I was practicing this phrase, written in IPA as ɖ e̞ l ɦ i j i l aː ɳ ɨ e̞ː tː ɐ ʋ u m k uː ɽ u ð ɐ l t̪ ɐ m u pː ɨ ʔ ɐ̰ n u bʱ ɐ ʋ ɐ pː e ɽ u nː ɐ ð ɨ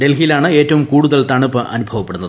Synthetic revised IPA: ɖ e̞ l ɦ i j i l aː ɳ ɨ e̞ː tː ɐ ʋ u m k uː ɽ u ð ɐ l t̪ ɐ ɳ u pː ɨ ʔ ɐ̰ n u bʱ ɐ ʋ ɐ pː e ɽ u nː ɐ ð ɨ